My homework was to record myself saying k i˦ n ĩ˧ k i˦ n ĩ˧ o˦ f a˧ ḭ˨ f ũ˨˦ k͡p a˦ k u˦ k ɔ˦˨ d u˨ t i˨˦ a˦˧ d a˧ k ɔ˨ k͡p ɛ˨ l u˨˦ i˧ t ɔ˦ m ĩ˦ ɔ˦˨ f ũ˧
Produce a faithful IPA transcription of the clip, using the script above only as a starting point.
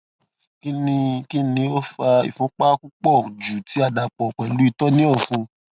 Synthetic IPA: k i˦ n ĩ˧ k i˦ n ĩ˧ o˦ f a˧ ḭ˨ f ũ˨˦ k͡p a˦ k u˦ k͡p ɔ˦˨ d͡ʒ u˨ t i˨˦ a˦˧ d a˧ k͡p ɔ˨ k͡p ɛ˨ l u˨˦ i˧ t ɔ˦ n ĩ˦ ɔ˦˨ f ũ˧